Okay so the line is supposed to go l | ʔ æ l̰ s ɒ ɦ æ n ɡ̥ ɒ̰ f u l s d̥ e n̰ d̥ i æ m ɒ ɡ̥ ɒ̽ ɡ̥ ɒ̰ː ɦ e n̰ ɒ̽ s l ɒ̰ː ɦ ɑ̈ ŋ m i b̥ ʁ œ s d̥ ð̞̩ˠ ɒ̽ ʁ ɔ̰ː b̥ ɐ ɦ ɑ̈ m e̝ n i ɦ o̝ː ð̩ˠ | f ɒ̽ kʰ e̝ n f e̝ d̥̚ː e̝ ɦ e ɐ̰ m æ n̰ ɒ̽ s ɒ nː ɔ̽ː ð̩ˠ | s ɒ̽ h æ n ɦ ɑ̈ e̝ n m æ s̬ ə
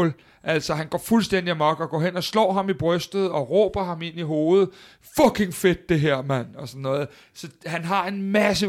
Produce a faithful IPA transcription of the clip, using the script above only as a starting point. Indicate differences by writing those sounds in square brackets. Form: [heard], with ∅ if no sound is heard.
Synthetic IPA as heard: l | ʔ æ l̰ s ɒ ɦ æ n ɡ̥ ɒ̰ f u l s d̥ e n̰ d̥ i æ m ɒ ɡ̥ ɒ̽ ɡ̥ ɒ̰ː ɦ e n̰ ɒ̽ s l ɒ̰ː ɦ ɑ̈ [∅] m i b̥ ʁ œ s d̥ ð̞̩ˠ ɒ̽ ʁ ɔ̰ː b̥ ɐ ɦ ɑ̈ m e̝ n i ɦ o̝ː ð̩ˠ | f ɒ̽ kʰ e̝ [ŋ] f e̝ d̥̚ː e̝ ɦ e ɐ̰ m æ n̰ ɒ̽ s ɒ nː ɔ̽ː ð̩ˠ | s ɒ̽ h æ n ɦ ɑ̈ e̝ n m æ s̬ ə